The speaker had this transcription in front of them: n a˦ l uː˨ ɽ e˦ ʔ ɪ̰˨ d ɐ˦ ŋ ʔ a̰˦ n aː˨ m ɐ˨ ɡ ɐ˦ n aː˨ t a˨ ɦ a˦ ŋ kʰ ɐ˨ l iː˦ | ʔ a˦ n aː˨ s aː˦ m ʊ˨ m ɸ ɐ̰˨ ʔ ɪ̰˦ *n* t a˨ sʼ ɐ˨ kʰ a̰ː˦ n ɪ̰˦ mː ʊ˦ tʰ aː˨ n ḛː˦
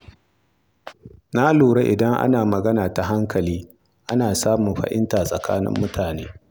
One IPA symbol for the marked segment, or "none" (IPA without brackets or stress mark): n